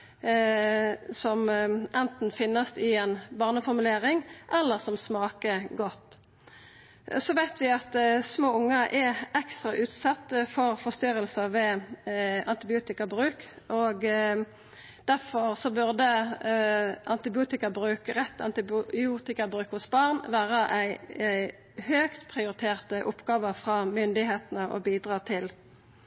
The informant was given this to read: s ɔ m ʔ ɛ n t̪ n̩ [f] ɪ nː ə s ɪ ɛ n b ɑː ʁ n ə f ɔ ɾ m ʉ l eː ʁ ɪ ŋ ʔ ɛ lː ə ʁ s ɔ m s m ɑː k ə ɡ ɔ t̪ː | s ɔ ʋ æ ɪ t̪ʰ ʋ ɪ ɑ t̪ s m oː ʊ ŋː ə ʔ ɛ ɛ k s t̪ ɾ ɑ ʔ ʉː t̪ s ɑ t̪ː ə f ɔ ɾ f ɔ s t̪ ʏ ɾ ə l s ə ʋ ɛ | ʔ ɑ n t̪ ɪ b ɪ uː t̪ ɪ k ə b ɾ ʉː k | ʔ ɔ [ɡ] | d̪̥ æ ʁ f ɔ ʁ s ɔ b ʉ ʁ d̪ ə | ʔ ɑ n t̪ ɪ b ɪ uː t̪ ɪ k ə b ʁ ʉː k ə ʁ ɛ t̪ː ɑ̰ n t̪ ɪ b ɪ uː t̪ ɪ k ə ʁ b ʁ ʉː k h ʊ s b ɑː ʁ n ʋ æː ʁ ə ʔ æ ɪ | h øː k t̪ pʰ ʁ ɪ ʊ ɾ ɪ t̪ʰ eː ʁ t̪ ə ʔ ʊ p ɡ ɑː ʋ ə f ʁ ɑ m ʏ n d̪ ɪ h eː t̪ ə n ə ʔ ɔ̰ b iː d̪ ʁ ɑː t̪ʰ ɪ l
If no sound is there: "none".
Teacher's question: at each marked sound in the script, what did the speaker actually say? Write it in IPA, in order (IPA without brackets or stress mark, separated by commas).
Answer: f, ɡ